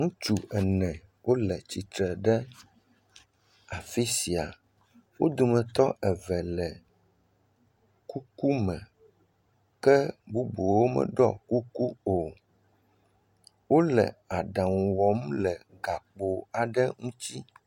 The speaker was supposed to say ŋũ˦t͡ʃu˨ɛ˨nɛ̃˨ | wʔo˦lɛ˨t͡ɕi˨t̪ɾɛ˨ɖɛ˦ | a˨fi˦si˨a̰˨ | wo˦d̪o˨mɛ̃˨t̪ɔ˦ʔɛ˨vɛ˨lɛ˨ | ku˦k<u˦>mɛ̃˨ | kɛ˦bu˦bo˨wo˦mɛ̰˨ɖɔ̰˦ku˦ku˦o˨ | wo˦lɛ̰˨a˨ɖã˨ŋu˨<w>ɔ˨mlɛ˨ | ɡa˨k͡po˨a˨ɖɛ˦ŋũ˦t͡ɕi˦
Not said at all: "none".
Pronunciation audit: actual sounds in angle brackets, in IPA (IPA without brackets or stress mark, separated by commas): u˦, w